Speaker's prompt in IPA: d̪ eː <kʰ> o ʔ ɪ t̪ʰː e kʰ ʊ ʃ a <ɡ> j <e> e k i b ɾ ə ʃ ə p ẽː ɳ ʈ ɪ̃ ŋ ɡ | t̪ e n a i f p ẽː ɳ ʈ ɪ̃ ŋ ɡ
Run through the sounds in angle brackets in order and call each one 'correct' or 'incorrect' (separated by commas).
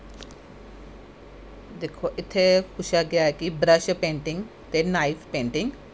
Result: correct, correct, incorrect